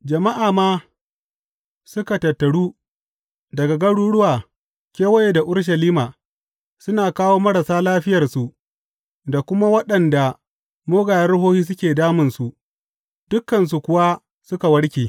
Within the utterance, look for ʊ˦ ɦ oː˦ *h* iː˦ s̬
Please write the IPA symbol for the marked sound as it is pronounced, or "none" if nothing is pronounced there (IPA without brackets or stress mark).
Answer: h